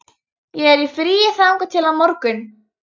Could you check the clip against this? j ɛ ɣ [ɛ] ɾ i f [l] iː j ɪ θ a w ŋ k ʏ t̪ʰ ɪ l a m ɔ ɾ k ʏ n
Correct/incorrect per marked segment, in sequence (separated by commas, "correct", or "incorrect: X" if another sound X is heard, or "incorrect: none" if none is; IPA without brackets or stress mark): correct, incorrect: ɾ